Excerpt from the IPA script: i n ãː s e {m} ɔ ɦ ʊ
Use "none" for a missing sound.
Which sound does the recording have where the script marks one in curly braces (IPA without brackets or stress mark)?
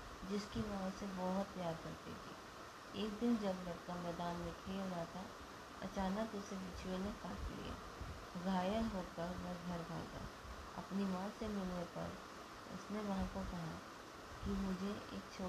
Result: b